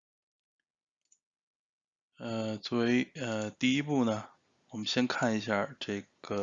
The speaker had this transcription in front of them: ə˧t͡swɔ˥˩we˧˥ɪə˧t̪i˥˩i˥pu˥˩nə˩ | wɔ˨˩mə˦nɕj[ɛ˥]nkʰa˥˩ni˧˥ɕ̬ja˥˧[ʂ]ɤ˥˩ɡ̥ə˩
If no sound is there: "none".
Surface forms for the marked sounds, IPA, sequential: ɛ˥, ʈ͡ʂ

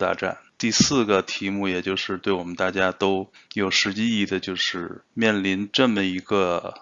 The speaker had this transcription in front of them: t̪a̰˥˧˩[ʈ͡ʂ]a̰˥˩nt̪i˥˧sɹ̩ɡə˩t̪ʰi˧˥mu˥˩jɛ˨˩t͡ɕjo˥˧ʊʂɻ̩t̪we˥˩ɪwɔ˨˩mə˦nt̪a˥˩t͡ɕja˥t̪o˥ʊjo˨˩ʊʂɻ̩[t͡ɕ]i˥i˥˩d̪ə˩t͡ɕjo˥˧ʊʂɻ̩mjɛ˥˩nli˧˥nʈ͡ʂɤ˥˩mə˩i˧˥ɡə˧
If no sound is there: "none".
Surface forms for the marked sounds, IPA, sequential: ʈ͡ʂ, t͡ɕ

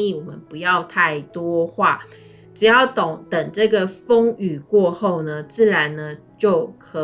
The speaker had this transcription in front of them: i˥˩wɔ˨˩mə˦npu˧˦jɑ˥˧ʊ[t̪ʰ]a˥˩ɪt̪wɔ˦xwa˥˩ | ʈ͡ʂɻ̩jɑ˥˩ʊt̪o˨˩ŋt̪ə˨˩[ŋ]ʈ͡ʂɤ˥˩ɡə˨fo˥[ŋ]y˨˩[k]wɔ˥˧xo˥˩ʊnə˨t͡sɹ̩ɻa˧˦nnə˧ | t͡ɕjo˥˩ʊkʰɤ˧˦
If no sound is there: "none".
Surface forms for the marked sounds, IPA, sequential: t̪ʰ, ŋ, ŋ, k

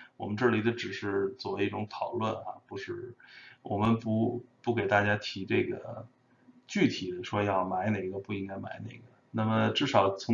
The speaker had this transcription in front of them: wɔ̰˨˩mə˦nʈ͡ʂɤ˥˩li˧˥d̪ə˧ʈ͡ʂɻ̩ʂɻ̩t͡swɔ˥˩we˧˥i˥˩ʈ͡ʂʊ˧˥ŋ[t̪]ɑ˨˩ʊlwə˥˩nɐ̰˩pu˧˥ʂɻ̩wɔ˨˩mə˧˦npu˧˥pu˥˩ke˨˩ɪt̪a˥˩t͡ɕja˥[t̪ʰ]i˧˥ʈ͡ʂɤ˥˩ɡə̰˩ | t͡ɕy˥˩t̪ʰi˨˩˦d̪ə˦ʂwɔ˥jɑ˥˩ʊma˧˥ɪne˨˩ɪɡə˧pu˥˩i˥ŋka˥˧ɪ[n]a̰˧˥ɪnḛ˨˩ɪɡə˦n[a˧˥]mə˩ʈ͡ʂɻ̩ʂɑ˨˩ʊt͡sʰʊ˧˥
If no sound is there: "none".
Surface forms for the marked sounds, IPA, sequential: t̪ʰ, t̪ʰ, m, a˥˩

